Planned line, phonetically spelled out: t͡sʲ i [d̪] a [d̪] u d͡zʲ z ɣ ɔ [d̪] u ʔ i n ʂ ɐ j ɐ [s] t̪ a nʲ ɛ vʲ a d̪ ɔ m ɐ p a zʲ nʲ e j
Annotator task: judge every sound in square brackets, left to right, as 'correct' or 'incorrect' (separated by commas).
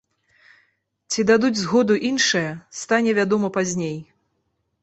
correct, correct, correct, correct